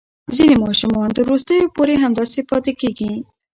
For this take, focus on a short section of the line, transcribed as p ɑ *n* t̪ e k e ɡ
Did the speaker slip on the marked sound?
yes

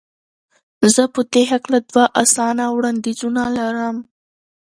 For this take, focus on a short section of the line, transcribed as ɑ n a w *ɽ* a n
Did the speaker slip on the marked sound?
no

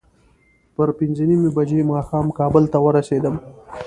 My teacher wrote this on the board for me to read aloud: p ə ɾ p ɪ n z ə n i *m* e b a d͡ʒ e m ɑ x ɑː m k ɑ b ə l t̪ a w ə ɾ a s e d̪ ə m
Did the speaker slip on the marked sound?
no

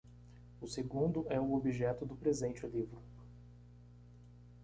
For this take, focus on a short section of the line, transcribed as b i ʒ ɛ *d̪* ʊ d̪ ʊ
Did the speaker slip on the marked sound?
yes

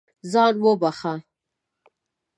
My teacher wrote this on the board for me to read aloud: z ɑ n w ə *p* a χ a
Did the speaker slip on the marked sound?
yes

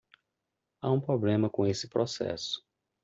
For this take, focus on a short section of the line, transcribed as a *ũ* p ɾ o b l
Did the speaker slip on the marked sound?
no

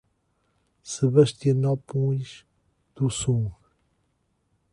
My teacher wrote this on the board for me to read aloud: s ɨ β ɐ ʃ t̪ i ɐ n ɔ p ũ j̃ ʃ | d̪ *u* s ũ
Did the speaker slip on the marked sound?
no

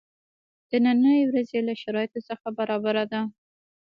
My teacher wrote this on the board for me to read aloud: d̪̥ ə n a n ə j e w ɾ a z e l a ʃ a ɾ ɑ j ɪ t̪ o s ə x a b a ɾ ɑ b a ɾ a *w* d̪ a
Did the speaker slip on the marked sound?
yes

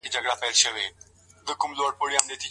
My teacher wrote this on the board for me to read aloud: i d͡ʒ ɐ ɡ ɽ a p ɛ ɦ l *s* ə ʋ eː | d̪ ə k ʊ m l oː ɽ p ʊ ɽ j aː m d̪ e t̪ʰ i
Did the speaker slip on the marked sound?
yes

